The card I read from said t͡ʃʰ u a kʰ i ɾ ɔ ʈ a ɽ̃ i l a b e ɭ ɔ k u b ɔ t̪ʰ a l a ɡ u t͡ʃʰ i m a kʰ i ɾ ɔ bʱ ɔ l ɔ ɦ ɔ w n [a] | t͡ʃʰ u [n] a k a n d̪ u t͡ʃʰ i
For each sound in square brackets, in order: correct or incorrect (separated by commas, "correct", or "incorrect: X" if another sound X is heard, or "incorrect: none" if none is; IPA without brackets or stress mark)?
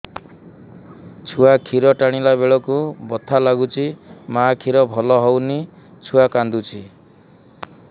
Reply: incorrect: i, incorrect: none